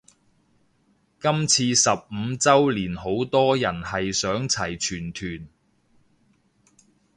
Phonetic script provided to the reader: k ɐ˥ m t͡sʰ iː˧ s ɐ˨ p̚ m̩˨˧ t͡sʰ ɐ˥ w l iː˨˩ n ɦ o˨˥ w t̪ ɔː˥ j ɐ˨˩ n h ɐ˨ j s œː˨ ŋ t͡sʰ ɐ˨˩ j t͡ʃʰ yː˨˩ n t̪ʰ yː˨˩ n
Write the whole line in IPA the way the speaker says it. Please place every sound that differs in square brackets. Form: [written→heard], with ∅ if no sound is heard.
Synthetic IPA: k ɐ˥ m t͡sʰ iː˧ s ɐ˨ p̚ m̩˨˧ [t͡sʰ→t͡s] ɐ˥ w l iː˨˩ n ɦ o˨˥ w t̪ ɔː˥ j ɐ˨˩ n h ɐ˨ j s [œː˨→œː˨˥] ŋ t͡sʰ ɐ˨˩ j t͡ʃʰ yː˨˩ n t̪ʰ yː˨˩ n

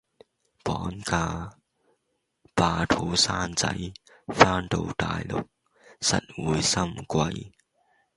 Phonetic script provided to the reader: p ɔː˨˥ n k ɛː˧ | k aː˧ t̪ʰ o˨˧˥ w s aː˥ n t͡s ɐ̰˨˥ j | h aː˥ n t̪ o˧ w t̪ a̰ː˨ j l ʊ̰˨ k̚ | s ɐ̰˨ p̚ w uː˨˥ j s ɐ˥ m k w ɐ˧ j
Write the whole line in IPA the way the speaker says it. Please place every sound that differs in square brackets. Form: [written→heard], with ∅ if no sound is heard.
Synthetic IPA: p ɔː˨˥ n k [ɛː˧→aː˧] | [k→p] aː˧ t̪ʰ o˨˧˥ w s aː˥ n t͡s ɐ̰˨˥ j | [h→f] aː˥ n t̪ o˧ w t̪ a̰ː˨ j l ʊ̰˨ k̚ | s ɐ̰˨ [p̚→t̚] w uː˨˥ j s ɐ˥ m k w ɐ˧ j

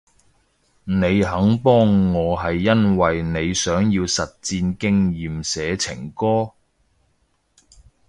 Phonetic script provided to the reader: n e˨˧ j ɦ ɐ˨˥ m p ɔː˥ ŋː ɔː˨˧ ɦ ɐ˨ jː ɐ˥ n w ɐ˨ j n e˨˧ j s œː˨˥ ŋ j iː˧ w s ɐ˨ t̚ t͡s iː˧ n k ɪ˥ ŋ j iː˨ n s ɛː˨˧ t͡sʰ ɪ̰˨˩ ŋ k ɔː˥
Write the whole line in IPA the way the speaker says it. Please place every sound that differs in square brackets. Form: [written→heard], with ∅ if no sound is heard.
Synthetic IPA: n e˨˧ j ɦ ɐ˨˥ [m→ŋ] p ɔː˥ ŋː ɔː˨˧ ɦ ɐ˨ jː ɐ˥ n w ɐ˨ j n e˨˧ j s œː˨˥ ŋ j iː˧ w s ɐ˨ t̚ t͡s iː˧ n k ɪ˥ ŋ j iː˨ [n→m] s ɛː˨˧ t͡sʰ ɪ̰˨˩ ŋ k ɔː˥

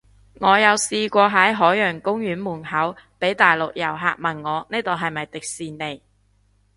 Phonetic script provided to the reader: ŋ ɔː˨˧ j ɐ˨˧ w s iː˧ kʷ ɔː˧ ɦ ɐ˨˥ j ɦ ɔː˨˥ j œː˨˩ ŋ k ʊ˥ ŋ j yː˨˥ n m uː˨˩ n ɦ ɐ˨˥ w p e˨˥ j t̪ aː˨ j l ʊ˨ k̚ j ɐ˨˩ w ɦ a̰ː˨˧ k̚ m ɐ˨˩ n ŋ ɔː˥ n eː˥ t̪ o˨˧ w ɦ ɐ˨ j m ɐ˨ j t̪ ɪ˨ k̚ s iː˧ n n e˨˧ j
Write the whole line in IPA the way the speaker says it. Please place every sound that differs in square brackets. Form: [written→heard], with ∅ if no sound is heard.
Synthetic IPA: ŋ ɔː˨˧ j ɐ˨˧ w s iː˧ kʷ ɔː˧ ɦ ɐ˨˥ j ɦ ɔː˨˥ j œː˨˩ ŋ k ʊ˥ ŋ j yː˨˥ n m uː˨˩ n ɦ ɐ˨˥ w p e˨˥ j t̪ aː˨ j l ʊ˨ k̚ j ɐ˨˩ w ɦ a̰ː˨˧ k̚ m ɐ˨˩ n ŋ [ɔː˥→ɔː˨˧] n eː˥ t̪ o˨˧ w ɦ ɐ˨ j m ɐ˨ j t̪ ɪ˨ k̚ s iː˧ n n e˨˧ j

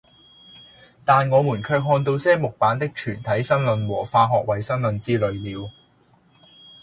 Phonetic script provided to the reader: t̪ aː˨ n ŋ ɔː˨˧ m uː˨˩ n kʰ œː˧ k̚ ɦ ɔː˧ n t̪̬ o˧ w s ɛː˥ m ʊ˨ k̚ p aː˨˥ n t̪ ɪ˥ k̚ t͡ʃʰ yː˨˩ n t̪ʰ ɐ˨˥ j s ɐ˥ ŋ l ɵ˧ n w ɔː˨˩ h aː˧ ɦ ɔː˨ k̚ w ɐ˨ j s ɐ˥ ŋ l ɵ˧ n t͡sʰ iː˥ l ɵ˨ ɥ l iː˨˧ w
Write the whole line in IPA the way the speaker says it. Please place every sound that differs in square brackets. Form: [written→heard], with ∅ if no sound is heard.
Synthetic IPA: t̪ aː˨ n ŋ ɔː˨˧ m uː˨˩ n kʰ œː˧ k̚ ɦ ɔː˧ n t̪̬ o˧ w s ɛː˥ m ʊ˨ k̚ p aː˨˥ n t̪ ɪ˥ k̚ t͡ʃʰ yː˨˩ n t̪ʰ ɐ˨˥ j s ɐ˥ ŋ l ɵ˧ n w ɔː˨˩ [h→f] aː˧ ɦ ɔː˨ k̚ w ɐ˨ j s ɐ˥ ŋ l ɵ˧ n [t͡sʰ→t͡s] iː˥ l ɵ˨ ɥ l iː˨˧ w

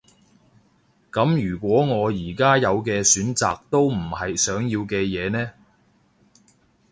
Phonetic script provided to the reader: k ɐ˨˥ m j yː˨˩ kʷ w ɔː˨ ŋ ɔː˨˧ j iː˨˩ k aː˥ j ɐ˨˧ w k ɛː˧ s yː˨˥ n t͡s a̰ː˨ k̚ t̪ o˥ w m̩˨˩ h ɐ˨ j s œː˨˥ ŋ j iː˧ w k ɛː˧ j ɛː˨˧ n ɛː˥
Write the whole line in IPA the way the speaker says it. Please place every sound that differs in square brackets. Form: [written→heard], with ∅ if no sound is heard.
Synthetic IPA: k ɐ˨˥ m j yː˨˩ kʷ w [ɔː˨→ɔː˨˥] ŋ ɔː˨˧ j iː˨˩ k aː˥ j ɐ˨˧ w k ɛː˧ s yː˨˥ n t͡s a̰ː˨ k̚ t̪ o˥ w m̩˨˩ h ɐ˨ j s œː˨˥ ŋ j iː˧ w k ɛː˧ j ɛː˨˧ n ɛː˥

